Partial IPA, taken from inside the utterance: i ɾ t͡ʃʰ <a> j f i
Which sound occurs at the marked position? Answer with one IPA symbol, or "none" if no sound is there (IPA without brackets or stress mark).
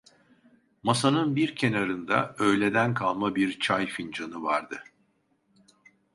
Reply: a